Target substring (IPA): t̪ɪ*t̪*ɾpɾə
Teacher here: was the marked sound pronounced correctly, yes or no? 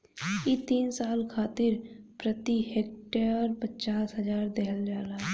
no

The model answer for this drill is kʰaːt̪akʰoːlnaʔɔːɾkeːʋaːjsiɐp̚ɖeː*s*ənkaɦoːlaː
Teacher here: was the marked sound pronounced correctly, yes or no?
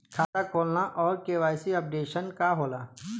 no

